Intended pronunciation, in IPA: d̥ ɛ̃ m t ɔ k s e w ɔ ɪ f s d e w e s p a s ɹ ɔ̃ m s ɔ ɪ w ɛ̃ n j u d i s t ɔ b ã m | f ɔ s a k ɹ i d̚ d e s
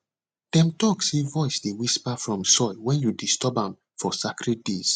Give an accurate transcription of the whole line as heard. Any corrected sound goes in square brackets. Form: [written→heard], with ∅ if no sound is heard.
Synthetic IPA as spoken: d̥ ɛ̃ m t ɔ k s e [w→v] ɔ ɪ [f→∅] s d e w [e→i] s p a [s→f] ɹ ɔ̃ m s ɔ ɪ w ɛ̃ n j u d i s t ɔ b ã m | f ɔ s a k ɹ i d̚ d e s

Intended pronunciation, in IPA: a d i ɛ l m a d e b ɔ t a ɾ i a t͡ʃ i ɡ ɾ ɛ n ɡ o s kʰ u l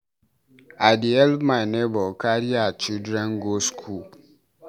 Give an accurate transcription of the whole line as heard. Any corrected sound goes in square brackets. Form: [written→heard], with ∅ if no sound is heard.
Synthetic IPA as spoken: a d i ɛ l m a [d→n] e b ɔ [t→k] a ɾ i a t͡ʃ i [ɡ→d] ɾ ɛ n ɡ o s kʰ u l

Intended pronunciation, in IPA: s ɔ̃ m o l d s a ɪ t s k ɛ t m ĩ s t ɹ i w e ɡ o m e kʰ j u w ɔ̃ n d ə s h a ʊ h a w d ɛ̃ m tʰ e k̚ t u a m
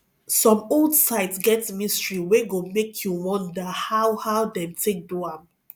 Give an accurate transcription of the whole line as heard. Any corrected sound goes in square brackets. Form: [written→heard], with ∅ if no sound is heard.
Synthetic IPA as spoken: s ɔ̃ m o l d s a ɪ t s [k→ɡ] ɛ t m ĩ s t ɹ i w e ɡ o m e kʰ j u w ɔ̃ n d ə [s→∅] h a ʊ h a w d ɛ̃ m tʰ e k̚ [t→d] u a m

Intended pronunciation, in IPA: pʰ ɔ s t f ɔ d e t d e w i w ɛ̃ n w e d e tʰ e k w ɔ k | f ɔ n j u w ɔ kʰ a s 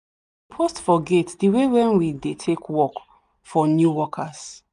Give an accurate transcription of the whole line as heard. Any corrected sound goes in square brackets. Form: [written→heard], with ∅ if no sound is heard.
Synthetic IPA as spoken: pʰ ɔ s t f ɔ [d→ɡ] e t d [e→i] w [i→e] w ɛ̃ n w [e→i] d e tʰ e k w ɔ k | f ɔ n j u w ɔ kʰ a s

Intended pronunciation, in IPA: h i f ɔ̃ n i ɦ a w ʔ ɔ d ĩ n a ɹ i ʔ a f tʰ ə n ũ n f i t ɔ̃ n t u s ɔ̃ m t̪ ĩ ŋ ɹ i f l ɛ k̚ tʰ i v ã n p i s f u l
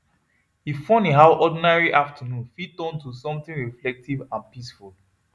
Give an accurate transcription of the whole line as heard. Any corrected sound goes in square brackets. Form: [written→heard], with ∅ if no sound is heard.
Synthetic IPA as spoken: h i f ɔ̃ n i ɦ a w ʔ ɔ d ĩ n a ɹ i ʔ a f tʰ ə n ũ n f i t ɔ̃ n t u s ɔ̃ m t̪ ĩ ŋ ɹ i f l ɛ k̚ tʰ i v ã n p i s f u l

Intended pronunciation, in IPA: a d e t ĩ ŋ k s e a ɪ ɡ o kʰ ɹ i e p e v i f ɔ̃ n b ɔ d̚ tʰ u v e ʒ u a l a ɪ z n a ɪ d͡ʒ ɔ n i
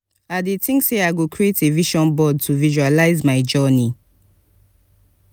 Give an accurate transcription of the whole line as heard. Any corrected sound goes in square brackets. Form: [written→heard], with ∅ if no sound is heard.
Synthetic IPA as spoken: a d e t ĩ ŋ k s e a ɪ ɡ o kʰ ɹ i e [p→t] e v i [f→ʃ] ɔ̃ n b ɔ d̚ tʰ u v [e→i] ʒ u a l a ɪ z [n→m] a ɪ d͡ʒ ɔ n i

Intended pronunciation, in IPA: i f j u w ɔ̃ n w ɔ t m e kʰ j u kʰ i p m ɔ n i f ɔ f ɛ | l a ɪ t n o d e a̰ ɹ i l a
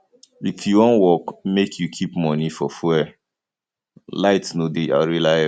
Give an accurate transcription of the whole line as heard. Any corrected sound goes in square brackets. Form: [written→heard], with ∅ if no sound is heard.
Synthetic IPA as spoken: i f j u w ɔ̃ n w ɔ [t→k] m e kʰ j u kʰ i p m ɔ n i f ɔ f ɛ | l a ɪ t n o d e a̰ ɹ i l a

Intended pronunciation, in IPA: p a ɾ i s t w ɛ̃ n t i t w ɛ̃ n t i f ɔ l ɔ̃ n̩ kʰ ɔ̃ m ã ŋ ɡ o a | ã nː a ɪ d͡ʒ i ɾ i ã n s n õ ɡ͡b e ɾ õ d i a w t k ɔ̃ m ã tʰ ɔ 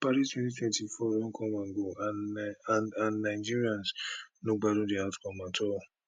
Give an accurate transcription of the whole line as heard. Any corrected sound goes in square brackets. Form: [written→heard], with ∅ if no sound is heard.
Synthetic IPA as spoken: p a ɾ i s t w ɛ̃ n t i t w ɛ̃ n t i f ɔ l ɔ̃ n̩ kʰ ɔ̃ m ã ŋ ɡ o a | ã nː a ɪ d͡ʒ i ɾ i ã n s n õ ɡ͡b [e→a] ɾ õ d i a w t k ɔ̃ m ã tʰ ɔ

